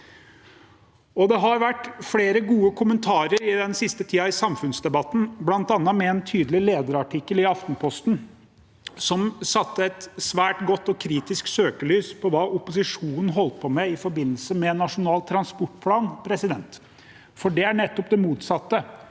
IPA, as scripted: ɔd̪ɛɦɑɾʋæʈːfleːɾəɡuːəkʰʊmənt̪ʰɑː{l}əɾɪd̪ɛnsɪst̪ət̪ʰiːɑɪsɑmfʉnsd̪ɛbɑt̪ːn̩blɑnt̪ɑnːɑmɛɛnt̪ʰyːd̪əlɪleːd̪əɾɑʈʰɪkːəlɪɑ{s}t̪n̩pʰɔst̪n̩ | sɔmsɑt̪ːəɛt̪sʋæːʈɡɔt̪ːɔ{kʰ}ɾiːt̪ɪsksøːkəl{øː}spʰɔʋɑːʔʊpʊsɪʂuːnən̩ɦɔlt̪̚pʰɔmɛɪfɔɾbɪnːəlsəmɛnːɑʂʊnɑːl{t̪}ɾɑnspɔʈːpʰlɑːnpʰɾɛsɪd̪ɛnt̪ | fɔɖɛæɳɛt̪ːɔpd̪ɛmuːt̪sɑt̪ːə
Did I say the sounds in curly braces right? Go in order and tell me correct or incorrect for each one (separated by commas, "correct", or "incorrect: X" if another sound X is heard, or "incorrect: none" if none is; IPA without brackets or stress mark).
incorrect: ɾ, incorrect: f, correct, incorrect: yː, incorrect: t̪ʰ